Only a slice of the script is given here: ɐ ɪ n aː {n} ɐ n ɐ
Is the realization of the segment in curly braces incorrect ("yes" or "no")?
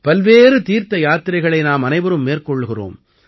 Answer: yes